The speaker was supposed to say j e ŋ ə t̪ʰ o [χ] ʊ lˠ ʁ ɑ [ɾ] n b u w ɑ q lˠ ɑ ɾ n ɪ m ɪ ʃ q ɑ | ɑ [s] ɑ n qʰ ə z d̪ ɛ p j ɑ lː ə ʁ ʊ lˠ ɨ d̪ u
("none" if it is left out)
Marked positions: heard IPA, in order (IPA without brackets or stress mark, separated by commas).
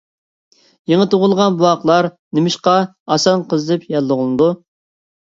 ʁ, none, s